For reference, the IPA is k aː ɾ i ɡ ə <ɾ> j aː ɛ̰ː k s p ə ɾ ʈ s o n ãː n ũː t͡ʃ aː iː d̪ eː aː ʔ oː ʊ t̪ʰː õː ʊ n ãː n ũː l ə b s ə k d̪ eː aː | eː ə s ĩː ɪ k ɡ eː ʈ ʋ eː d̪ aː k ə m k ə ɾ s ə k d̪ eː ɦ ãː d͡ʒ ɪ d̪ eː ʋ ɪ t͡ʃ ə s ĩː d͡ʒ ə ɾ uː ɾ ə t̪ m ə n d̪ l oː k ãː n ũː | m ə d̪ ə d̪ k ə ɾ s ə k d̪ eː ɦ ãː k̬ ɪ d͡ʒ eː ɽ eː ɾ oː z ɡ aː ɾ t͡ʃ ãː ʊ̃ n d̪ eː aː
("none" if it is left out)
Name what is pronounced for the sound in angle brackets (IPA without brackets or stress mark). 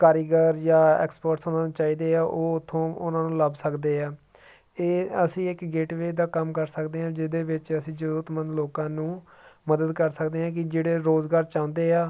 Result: ɾ